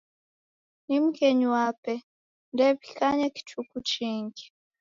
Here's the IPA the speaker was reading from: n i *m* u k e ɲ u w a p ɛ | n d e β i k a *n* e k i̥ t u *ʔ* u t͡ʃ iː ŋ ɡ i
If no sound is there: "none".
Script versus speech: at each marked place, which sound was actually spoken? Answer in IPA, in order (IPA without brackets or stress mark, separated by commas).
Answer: m, ɲ, k